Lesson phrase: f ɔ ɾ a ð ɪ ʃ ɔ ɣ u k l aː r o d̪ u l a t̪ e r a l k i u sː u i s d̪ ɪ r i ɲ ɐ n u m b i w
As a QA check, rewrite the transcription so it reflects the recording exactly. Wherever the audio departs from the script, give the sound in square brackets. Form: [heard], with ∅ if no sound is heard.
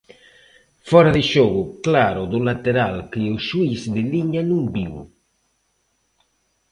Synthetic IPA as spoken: f ɔ ɾ a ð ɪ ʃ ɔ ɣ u k l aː [ɾ] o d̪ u l a t̪ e [ɾ] a l k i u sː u i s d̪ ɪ [l] i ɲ [a] n u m b i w